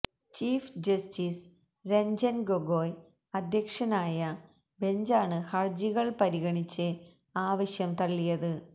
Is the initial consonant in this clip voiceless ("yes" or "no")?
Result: yes